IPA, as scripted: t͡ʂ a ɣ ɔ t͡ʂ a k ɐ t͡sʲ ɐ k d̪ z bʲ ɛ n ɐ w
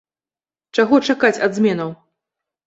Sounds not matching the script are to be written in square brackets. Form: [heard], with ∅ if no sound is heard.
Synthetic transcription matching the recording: t͡ʂ a ɣ ɔ t͡ʂ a k [a] t͡sʲ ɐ [∅] d̪ z [mʲ] ɛ n ɐ w